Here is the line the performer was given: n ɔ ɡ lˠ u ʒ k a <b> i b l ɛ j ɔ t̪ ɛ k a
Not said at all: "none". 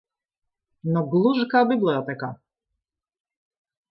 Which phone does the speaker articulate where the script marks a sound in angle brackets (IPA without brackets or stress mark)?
b